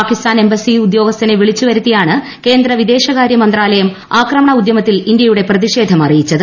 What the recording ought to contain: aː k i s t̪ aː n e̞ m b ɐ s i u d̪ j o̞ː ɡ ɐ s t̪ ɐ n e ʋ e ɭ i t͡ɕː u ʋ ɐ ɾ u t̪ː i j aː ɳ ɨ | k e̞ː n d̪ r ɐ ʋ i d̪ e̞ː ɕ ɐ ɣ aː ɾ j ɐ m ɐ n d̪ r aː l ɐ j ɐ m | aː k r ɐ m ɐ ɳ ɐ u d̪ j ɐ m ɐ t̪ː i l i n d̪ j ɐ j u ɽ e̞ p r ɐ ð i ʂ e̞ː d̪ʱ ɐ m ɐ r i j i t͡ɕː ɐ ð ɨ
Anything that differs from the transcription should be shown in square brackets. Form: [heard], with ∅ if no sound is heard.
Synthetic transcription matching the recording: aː k i s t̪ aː n e̞ m b ɐ s i u d̪ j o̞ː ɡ ɐ s t̪ ɐ n e ʋ [i] ɭ i t͡ɕː u ʋ ɐ ɾ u t̪ː i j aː ɳ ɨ | k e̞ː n d̪ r ɐ ʋ i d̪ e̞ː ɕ ɐ ɣ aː ɾ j ɐ m ɐ n d̪ r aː l ɐ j ɐ m | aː k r ɐ m ɐ ɳ ɐ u d̪ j ɐ m ɐ t̪ː i l i n d̪ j ɐ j u ɽ e̞ p r ɐ ð i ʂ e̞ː d̪ʱ ɐ m ɐ r i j i t͡ɕː ɐ ð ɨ